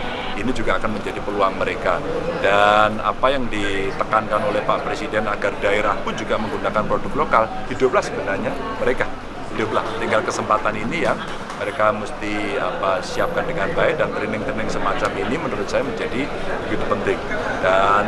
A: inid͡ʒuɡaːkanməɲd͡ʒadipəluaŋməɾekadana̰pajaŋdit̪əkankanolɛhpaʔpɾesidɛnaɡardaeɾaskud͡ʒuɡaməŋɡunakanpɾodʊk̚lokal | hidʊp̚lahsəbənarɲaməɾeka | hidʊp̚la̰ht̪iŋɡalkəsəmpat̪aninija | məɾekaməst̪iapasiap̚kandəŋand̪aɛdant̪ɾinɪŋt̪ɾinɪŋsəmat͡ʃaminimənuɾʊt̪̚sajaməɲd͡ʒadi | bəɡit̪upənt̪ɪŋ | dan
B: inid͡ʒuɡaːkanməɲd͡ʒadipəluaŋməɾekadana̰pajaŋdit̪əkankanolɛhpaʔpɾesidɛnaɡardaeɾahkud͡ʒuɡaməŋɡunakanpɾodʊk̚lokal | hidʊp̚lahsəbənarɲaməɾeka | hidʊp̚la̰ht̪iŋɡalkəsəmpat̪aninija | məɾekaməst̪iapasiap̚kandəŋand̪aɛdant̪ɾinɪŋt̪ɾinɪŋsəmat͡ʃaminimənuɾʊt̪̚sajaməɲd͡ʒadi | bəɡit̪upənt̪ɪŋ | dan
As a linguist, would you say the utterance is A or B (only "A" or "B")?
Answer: B